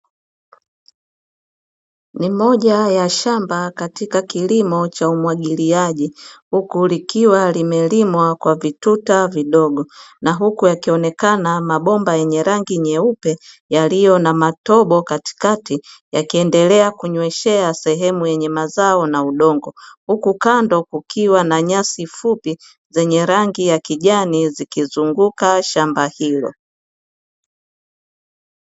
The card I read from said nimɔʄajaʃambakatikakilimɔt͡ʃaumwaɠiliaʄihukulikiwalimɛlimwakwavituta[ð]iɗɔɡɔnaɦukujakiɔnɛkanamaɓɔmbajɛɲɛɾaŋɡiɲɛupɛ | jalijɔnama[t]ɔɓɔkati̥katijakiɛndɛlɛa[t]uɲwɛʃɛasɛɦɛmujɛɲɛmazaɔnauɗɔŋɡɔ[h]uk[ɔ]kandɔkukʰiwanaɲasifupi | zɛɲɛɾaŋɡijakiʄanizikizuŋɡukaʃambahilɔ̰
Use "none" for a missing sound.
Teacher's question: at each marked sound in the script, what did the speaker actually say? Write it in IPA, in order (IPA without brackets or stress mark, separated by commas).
v, t, k, h, u